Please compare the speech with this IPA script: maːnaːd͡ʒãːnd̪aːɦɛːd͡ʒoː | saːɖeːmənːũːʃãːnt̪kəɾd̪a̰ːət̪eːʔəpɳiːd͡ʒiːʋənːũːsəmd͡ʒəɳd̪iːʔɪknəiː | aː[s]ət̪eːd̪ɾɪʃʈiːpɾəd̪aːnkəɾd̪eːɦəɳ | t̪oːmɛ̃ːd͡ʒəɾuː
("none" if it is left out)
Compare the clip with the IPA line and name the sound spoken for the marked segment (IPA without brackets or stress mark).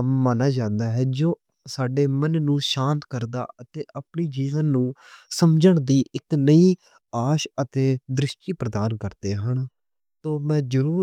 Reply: ʃ